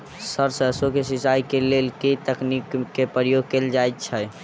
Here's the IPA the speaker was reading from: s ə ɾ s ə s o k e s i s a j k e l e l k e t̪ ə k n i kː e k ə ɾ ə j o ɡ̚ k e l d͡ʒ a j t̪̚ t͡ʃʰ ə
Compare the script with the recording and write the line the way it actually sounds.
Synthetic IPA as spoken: s ə ɾ s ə s o k e s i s a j k e l e l k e t̪ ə k n i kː e p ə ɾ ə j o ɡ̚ k e l d͡ʒ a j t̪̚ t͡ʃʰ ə

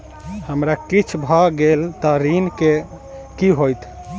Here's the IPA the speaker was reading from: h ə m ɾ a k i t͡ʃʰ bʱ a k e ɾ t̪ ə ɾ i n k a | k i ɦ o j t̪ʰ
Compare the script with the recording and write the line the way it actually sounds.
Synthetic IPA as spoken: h ə m ɾ a k i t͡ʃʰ bʱ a ɡ e l t̪ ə ɾ i n k e | k i ɦ o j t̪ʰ

